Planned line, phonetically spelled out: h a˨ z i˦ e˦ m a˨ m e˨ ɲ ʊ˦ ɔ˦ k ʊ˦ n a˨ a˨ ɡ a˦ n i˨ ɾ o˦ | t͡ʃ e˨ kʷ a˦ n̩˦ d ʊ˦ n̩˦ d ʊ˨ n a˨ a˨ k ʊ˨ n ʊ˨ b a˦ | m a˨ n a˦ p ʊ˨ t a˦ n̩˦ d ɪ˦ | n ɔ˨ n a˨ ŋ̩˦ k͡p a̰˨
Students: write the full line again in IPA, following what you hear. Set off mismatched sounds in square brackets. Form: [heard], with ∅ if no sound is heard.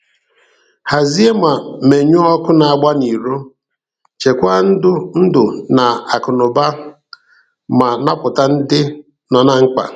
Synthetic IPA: h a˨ z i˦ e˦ m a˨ m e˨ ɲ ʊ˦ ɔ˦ k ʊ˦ n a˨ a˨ [ɡ͡b] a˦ n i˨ ɾ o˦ | t͡ʃ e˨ kʷ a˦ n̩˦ d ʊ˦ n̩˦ d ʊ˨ n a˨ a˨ k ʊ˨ n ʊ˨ b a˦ | m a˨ n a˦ p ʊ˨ t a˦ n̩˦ d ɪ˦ | n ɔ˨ n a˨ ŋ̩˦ k͡p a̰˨